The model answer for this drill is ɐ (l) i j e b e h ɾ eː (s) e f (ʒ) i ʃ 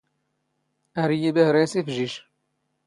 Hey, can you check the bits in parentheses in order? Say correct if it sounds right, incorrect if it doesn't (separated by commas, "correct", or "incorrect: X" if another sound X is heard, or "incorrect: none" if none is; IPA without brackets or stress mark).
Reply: incorrect: ɾ, correct, correct